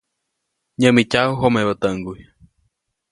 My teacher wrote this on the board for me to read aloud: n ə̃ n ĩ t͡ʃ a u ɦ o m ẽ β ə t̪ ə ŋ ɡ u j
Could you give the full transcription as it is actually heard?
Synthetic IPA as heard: ɲ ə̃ m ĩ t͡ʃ a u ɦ o m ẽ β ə t̪ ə ŋ ɡ u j